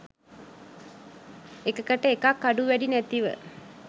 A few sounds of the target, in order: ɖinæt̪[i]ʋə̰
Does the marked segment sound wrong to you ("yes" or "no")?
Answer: no